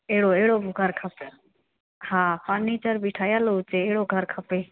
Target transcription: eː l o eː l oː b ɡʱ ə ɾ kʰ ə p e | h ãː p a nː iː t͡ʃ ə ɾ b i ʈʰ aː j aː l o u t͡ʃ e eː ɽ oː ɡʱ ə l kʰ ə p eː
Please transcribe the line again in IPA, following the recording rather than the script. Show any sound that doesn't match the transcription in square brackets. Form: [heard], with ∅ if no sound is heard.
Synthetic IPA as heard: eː [ɽ] o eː [ɽ] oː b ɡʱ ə ɾ kʰ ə p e | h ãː p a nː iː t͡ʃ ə ɾ b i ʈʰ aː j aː l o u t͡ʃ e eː ɽ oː ɡʱ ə [ɾ] kʰ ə p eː